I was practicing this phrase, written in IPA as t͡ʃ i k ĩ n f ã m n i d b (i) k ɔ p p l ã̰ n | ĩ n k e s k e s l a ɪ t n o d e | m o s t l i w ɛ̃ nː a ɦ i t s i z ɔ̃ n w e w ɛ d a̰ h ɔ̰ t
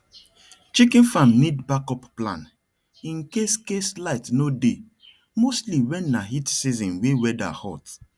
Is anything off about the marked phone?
yes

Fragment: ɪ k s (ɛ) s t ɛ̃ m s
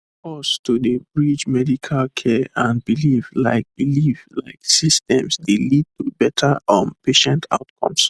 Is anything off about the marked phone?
yes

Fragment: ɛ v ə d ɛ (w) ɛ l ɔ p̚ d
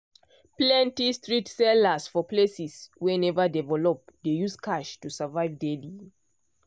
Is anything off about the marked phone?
yes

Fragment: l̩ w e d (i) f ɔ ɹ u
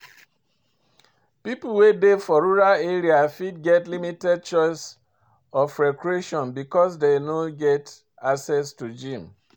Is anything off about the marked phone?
yes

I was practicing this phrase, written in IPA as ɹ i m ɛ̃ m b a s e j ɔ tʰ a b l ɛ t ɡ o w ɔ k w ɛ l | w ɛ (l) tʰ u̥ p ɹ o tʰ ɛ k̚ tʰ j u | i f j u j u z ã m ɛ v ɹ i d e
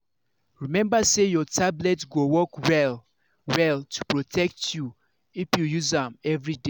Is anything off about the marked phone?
no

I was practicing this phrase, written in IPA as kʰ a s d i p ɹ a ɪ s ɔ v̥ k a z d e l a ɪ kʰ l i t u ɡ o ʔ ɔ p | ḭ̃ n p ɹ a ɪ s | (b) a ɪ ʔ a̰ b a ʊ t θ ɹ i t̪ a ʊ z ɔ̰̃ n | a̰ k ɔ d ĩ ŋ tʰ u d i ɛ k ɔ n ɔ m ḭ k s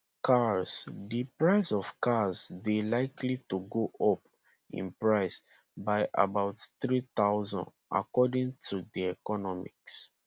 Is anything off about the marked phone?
no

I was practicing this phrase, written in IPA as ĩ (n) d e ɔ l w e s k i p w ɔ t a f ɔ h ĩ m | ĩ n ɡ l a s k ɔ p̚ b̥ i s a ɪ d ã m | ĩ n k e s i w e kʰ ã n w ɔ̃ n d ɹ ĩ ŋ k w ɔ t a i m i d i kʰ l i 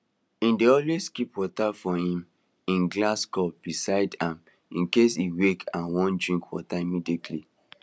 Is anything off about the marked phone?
no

